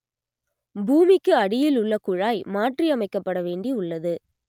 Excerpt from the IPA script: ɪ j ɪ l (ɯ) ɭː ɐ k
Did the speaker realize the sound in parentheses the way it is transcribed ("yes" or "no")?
no